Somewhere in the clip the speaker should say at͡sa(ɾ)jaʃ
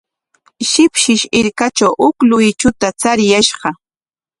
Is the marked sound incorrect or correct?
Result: correct